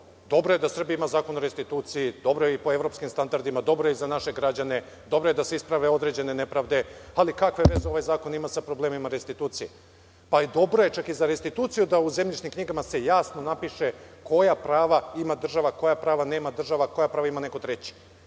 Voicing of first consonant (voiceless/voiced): voiced